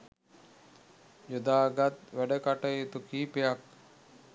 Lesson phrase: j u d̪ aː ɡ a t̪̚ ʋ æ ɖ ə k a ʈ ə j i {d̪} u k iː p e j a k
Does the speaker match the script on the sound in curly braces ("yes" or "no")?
no